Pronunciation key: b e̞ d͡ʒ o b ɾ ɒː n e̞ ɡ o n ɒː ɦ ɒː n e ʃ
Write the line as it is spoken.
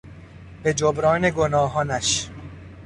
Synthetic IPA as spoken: b e̞ d͡ʒ o b ɾ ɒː n e̞ ɡ o n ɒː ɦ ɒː n æ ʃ